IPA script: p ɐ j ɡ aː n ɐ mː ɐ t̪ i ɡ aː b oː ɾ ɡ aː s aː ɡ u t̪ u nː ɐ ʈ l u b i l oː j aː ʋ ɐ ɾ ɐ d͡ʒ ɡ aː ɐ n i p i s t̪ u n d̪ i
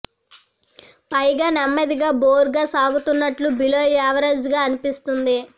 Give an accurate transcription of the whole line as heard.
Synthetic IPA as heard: p ɐ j ɡ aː n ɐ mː ɐ d̪ i ɡ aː b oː ɾ ɡ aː s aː ɡ u t̪ u nː ɐ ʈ l u b i l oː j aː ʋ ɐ ɾ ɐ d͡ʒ ɡ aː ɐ n i p i s t̪ u n d̪ i

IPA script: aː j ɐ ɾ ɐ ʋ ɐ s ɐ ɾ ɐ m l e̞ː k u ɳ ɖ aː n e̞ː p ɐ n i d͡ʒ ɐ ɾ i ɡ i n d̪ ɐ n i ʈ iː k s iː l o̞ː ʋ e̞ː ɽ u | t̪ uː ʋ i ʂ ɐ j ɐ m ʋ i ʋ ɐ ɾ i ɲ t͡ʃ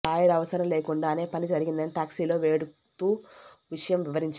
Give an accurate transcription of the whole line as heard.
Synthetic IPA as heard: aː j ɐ ɾ ɐ ʋ ɐ s ɐ ɾ ɐ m l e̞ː k u ɳ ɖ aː n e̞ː p ɐ n i d͡ʒ ɐ ɾ i ɡ i n d̪ ɐ n i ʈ aː k s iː l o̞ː ʋ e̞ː ɽ u | t̪ uː ʋ i ʂ ɐ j ɐ m ʋ i ʋ ɐ ɾ i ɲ t͡ʃ

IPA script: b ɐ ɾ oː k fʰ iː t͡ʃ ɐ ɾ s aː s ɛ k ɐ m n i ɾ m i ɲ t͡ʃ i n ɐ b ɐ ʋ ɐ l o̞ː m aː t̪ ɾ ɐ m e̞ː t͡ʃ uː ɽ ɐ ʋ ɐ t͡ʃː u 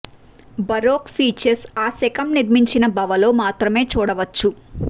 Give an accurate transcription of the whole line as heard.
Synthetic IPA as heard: b ɐ ɾ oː k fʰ iː t͡ʃ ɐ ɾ s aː s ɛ k ɐ m n i ɾ m i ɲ t͡ʃ i n ɐ b ɐ ʋ ɐ l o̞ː m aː t̪ ɾ ɐ m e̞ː t͡ʃ uː ɽ ɐ ʋ ɐ t͡ʃː u

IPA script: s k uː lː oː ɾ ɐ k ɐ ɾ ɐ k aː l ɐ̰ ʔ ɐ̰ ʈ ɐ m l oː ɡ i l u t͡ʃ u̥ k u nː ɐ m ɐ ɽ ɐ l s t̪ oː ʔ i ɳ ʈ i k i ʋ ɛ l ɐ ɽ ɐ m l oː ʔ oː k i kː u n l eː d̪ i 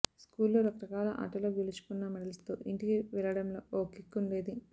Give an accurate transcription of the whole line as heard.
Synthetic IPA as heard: s k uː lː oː ɾ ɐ k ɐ ɾ ɐ k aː l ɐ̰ ʔ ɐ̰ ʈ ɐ l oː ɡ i l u t͡ʃ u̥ k u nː ɐ m ɐ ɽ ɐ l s t̪ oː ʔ i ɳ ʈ i k i ʋ ɛ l ɐ ɽ ɐ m l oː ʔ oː k i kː u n l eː d̪ i

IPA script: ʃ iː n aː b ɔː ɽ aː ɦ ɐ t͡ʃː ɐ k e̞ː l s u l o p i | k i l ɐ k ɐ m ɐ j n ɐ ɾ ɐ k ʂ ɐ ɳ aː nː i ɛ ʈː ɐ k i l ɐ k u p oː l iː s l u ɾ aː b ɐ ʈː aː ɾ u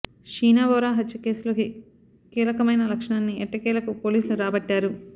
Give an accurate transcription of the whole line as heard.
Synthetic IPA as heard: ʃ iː n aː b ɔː ɾ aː ɦ ɐ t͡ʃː ɐ k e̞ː s u l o k i | k iː l ɐ k ɐ m ɐ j n ɐ l ɐ k ʂ ɐ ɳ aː nː i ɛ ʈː ɐ k iː l ɐ k u p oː l iː s l u ɾ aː b ɐ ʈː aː ɾ u

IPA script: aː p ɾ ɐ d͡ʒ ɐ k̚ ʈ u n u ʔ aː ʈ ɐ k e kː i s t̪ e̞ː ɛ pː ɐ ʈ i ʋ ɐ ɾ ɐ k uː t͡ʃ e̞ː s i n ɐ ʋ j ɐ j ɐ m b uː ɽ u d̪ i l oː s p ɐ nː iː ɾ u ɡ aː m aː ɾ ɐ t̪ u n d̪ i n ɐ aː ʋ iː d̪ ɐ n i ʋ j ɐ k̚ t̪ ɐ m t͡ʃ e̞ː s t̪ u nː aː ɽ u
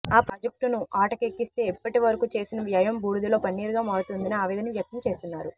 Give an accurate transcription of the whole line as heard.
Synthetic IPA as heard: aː p ɾ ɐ d͡ʒ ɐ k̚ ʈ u n u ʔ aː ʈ ɐ k e kː i s t̪ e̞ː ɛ pː ɐ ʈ i ʋ ɐ ɾ ɐ k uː t͡ʃ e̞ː s i n ɐ ʋ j ɐ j ɐ m b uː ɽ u d̪ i l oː p ɐ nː iː ɾ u ɡ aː m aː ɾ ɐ t̪ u n d̪ i n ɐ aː ʋ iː d̪ ɐ n i ʋ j ɐ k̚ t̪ ɐ m t͡ʃ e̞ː s t̪ u nː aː ɾ u

